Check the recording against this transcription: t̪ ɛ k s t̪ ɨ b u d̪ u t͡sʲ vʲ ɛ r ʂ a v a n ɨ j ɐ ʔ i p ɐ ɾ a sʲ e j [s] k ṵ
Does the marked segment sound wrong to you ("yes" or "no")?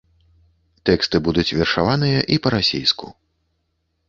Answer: no